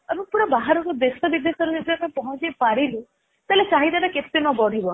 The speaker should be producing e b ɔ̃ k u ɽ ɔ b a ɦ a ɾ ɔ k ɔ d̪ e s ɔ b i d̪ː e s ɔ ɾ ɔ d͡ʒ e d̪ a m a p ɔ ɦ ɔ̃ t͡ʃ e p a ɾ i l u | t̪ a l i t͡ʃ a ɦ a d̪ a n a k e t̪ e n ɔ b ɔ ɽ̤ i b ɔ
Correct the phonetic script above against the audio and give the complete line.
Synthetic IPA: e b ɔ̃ p u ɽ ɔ b a ɦ a ɾ ɔ k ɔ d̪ e s ɔ b i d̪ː e s ɔ ɾ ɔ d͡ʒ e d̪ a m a p ɔ ɦ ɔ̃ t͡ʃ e p a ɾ i l u | t̪ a l e t͡ʃ a ɦ i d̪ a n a k e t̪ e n ɔ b ɔ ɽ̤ i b ɔ